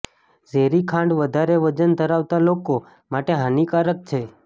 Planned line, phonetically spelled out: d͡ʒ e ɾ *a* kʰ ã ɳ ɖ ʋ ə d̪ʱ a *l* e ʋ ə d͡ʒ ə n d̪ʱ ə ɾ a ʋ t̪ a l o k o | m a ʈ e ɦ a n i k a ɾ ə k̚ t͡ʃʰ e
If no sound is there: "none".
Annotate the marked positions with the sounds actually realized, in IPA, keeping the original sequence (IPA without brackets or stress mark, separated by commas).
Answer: i, ɾ